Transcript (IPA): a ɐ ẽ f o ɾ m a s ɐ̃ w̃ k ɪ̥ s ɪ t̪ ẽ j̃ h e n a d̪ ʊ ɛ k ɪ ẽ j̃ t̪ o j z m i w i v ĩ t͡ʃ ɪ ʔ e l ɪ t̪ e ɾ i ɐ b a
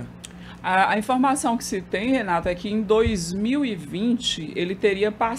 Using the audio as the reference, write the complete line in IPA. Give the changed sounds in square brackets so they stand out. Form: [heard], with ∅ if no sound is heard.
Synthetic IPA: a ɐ [ĩ] f o ɾ m a s ɐ̃ w̃ k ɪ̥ s ɪ t̪ ẽ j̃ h e n a [t̪] ʊ ɛ k ɪ ẽ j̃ [d̪] o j z m i w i v ĩ t͡ʃ ɪ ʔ e l ɪ t̪ e ɾ i ɐ [p] a